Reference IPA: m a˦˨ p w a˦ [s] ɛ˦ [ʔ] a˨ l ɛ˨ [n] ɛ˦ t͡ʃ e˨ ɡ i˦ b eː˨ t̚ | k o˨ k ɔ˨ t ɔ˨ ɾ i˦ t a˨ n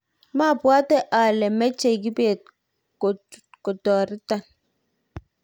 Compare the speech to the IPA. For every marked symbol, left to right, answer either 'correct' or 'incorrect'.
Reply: incorrect, correct, incorrect

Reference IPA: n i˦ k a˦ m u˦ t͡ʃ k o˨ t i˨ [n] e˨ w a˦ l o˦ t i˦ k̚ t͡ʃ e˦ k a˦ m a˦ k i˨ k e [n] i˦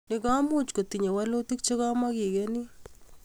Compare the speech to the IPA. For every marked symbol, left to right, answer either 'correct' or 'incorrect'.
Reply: incorrect, correct

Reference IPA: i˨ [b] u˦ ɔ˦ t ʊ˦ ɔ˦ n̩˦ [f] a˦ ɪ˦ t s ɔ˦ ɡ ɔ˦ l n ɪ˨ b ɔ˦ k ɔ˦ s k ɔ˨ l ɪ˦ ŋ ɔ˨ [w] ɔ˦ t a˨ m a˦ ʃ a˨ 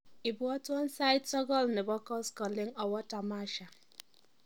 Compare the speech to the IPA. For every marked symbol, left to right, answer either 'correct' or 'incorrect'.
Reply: correct, incorrect, correct

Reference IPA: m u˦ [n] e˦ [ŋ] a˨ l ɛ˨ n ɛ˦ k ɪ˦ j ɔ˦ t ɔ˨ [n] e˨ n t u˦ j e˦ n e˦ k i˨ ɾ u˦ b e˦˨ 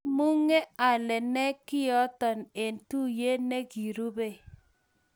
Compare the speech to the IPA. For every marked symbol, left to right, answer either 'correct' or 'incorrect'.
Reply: incorrect, incorrect, correct

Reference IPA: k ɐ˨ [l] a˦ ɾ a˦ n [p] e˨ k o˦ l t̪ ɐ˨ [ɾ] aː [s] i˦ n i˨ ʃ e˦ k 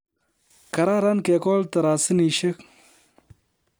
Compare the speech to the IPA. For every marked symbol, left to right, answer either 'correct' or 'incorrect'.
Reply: incorrect, incorrect, correct, correct

